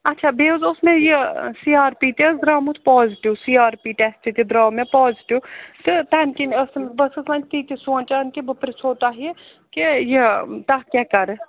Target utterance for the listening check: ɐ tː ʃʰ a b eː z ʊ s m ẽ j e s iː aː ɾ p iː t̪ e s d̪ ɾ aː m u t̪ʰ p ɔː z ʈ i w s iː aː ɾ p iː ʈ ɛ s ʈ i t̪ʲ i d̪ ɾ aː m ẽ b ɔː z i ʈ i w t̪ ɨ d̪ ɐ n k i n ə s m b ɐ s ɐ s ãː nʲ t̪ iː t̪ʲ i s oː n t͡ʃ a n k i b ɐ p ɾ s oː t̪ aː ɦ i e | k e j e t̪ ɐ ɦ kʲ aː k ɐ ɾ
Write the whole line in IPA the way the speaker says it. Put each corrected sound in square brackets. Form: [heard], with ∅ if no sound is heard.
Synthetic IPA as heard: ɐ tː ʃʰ a b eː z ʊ s m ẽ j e s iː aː ɾ p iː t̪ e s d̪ ɾ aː m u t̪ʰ p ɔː z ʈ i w s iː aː ɾ p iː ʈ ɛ s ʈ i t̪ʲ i d̪ ɾ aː m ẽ [p] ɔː z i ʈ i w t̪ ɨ [t̪] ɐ n k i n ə s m b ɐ s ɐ s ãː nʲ t̪ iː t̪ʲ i s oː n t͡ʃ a n k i b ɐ p ɾ s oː t̪ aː ɦ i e | k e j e t̪ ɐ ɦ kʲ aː k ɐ ɾ